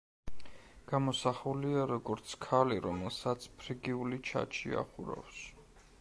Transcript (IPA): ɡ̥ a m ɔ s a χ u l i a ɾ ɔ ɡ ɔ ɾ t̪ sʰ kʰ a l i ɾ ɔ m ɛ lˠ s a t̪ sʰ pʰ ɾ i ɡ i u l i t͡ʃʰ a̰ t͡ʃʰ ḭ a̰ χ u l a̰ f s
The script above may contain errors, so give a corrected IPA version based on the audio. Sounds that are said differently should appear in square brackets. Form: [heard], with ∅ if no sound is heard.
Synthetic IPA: ɡ̥ a m ɔ s a χ u l i a ɾ ɔ ɡ ɔ ɾ t̪ sʰ kʰ a l i ɾ ɔ m ɛ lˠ s a t̪ sʰ pʰ ɾ i ɡ i u l i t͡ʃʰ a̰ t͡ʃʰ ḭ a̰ χ u [ɾ] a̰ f s